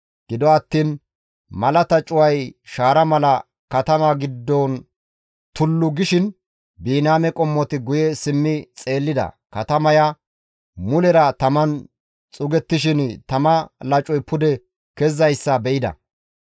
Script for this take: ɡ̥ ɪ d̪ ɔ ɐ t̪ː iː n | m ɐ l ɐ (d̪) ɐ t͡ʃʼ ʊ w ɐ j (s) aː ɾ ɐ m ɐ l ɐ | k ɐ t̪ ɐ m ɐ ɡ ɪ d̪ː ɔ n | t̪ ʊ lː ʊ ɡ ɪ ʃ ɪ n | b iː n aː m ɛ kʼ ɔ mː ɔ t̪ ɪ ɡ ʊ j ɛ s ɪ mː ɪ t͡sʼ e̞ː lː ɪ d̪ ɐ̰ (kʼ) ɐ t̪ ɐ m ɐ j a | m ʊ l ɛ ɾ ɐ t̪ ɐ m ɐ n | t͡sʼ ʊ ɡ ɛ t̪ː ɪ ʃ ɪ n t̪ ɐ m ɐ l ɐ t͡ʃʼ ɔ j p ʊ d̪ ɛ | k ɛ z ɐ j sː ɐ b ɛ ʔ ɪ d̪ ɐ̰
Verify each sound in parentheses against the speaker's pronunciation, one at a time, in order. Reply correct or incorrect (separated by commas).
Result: incorrect, incorrect, incorrect